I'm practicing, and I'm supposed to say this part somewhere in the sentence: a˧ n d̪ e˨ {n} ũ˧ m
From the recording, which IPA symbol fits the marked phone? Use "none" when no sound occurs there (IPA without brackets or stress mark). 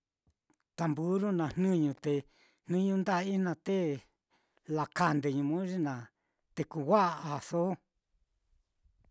ɲ